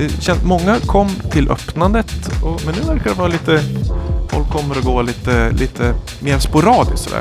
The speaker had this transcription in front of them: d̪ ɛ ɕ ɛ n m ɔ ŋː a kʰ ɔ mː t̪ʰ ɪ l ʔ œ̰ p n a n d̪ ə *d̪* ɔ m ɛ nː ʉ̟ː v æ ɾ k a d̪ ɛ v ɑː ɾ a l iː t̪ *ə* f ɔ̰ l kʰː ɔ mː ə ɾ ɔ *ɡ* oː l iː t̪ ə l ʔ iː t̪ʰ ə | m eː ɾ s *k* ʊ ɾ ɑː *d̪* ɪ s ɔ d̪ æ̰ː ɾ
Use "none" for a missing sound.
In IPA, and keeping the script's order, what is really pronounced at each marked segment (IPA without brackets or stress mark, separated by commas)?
t̪, ə, ɡ, p, d̪